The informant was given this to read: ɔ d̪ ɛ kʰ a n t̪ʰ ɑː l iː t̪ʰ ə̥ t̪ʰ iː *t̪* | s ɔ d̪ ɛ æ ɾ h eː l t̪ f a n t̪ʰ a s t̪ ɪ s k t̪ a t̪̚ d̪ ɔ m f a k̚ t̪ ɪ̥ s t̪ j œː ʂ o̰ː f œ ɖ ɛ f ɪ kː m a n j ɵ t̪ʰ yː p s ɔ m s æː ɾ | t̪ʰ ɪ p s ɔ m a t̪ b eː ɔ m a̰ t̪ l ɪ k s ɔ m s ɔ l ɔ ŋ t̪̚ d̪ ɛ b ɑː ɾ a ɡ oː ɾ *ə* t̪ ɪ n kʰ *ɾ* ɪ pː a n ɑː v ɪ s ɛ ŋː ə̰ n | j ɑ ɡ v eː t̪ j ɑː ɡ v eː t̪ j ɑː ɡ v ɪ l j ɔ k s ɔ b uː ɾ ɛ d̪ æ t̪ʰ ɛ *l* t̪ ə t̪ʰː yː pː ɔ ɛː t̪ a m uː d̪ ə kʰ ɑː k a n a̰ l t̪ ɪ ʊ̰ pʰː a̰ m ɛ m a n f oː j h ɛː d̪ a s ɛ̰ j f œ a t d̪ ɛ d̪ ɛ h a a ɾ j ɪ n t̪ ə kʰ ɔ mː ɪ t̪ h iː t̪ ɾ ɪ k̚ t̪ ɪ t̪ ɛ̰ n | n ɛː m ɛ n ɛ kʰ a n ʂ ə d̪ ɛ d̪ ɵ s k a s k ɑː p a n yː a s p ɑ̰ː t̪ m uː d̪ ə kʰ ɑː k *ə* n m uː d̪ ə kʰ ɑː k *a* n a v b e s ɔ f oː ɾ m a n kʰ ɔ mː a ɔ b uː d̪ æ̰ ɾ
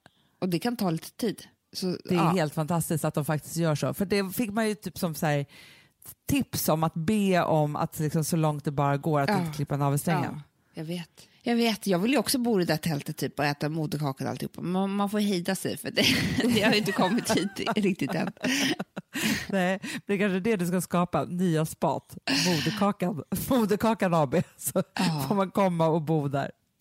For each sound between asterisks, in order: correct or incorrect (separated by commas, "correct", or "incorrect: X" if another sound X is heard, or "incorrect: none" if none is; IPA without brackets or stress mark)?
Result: incorrect: d̪, incorrect: a, incorrect: l, correct, incorrect: a, correct